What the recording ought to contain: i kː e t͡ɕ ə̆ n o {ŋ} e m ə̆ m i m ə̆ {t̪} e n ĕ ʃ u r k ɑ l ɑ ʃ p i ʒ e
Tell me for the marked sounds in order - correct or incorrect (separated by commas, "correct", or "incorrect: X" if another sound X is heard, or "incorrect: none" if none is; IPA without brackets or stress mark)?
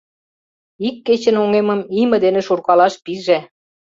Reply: correct, incorrect: d̪